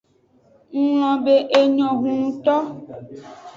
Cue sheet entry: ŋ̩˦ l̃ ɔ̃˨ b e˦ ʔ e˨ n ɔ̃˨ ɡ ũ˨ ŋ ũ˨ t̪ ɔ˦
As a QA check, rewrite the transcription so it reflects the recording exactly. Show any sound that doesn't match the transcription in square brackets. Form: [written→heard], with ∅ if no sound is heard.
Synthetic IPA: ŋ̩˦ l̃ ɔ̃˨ b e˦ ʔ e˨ [n→ɲ] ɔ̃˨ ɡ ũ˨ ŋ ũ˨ t̪ ɔ˦